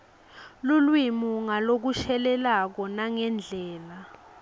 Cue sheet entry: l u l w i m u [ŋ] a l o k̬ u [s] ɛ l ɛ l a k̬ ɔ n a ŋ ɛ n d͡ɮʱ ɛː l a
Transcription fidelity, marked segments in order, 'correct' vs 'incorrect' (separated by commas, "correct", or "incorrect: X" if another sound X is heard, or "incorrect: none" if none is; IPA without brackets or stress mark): correct, incorrect: ʃ